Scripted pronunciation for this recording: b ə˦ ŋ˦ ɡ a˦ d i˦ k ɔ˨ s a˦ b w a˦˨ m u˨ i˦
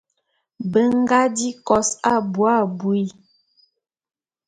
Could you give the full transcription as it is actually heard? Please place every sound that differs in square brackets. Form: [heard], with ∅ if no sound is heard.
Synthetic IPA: b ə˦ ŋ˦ ɡ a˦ d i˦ k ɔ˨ s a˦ b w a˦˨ [b] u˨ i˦